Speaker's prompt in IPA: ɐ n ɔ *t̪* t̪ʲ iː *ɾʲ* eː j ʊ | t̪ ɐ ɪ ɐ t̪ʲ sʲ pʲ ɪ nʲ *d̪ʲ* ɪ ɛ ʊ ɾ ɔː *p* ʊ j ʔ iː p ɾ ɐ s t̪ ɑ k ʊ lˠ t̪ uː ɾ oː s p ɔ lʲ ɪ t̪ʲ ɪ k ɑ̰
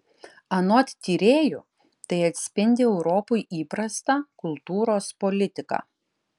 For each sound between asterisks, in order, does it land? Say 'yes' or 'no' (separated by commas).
yes, yes, yes, yes